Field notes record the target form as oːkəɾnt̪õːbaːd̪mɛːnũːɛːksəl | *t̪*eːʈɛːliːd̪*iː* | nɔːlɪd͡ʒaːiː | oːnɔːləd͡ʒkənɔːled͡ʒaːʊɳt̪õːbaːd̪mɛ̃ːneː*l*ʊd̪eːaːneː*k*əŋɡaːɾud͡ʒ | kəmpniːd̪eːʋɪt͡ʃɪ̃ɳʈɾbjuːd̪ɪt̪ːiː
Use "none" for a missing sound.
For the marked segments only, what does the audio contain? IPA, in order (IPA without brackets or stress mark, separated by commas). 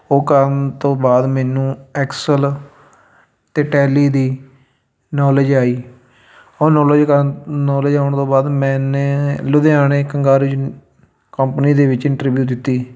t̪, iː, l, k